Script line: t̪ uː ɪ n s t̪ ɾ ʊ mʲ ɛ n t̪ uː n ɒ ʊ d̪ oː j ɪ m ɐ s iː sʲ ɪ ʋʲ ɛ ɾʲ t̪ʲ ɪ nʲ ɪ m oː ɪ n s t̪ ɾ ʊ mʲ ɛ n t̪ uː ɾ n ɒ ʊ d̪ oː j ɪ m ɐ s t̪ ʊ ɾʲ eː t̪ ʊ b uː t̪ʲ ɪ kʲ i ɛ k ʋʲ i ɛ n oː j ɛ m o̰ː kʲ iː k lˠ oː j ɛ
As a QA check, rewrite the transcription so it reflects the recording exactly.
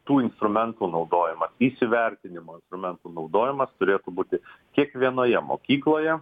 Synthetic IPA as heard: t̪ uː ɪ n s t̪ ɾ ʊ mʲ ɛ n t̪ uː n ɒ ʊ d̪ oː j ɪ m ɐ s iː sʲ ɪ ʋʲ ɛ ɾʲ t̪ʲ ɪ nʲ ɪ m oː ɪ n s t̪ ɾ ʊ mʲ ɛ n t̪ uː n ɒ ʊ d̪ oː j ɪ m ɐ s t̪ ʊ ɾʲ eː t̪ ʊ b uː t̪ʲ ɪ kʲ i ɛ k ʋʲ i ɛ n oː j ɛ m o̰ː kʲ iː k lˠ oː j ɛ